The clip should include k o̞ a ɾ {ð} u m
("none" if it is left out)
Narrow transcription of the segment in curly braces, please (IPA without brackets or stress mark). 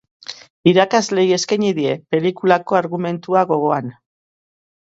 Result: ɣ